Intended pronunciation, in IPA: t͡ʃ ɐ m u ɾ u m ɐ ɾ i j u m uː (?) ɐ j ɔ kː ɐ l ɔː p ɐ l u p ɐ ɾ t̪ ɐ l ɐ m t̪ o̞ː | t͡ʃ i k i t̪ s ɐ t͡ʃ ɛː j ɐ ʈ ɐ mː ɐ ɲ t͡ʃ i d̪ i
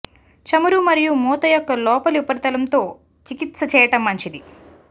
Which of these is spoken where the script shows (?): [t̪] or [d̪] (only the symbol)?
t̪